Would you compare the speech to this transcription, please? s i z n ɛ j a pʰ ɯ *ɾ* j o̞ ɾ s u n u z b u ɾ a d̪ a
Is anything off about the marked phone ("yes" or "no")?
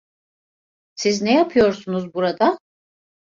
yes